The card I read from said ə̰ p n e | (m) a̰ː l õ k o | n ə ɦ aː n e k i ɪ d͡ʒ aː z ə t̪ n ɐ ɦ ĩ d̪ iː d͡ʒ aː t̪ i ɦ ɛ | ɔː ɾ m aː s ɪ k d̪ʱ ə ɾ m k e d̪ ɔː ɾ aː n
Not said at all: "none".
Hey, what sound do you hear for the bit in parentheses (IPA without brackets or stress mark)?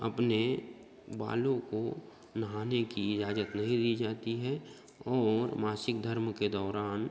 b